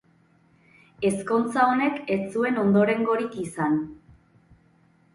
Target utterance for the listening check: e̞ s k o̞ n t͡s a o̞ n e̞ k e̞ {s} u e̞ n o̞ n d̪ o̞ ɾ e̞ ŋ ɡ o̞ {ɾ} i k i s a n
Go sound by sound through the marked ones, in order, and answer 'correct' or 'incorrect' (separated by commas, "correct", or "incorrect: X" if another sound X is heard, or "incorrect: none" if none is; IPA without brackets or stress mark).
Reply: incorrect: t͡s, correct